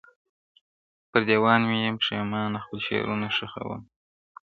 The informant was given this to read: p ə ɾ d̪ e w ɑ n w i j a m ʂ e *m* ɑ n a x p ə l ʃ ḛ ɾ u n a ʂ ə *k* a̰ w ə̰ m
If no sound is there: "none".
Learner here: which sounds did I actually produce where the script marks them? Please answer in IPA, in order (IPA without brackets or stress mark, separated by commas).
m, x